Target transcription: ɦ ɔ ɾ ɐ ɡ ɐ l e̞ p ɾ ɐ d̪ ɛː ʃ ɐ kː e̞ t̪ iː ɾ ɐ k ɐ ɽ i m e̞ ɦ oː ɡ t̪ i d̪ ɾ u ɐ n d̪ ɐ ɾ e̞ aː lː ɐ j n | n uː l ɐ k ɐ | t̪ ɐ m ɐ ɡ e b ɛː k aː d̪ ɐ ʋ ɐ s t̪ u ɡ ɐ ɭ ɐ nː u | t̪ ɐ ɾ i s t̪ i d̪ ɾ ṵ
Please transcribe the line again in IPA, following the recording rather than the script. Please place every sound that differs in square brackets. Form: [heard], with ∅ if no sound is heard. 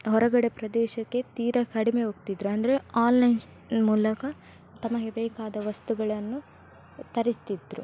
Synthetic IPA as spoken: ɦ ɔ ɾ ɐ ɡ ɐ [ɽ] e̞ p ɾ ɐ d̪ ɛː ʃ ɐ kː e̞ t̪ iː ɾ ɐ k ɐ ɽ i m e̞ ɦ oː ɡ t̪ i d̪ ɾ u ɐ n d̪ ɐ ɾ e̞ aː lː ɐ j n | [m] uː l ɐ k ɐ | t̪ ɐ m ɐ ɡ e b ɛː k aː d̪ ɐ ʋ ɐ s t̪ u ɡ ɐ ɭ ɐ nː u | t̪ ɐ ɾ i s t̪ i d̪ ɾ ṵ